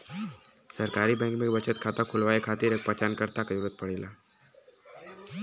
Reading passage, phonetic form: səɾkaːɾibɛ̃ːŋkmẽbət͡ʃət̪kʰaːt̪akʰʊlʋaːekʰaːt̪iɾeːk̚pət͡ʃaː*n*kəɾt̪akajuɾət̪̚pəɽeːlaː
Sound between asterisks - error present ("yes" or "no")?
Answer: no